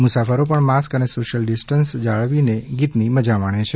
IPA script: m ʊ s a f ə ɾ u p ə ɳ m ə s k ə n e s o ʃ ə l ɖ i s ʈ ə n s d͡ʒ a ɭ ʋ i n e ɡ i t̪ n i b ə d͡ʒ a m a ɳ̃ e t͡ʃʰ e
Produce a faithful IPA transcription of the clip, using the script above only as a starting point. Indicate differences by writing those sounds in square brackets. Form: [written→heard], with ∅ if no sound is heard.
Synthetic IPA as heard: m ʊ s a f ə ɾ [u→o] p ə ɳ m [ə→a] s k ə n e s o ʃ ə l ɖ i s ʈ ə n s d͡ʒ a ɭ ʋ i n e ɡ i t̪ n i [b→m] ə d͡ʒ a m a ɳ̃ e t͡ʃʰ e